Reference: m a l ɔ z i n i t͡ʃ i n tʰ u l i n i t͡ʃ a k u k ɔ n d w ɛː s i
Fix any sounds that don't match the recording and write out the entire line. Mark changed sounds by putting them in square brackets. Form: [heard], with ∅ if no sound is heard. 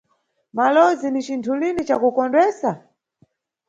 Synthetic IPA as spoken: m a l ɔ z i n i t͡ʃ i n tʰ u l i n i t͡ʃ a k u k ɔ n d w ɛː s [a]